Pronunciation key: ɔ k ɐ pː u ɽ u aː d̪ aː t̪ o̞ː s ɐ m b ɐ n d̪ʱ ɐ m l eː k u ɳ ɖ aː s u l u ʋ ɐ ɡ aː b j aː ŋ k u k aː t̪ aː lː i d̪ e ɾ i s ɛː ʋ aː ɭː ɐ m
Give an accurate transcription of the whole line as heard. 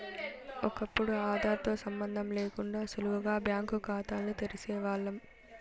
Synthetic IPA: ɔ k ɐ pː u ɽ u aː d̪ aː t̪ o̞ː s ɐ m b ɐ n d̪ʱ ɐ m l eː k u ɳ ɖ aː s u l u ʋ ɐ ɡ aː b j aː ŋ k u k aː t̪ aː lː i t̪ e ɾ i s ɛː ʋ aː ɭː ɐ m